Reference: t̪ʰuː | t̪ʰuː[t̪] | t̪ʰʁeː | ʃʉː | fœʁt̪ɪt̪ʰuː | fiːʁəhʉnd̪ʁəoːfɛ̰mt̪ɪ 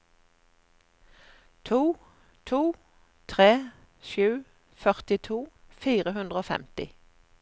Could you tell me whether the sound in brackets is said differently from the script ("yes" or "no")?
yes